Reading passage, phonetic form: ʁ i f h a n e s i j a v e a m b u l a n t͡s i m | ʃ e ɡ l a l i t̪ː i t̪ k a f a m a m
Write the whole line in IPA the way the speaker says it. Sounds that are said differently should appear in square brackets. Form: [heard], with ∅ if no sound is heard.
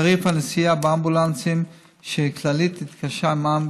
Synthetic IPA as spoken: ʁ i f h a n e s i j a [b] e a m b u l a n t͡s i m | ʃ e [k] l a l i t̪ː i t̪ k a [ʃ] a m a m